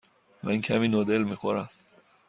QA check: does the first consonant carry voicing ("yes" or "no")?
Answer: yes